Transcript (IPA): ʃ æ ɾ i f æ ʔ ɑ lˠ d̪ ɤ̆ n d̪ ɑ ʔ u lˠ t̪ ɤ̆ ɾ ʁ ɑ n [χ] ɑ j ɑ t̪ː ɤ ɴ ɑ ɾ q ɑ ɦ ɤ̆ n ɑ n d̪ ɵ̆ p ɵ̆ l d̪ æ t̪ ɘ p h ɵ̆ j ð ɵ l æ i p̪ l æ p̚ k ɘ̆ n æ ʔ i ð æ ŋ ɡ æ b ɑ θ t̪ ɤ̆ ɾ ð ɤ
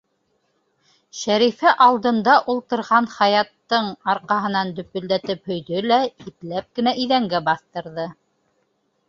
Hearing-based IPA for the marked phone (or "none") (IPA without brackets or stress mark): χ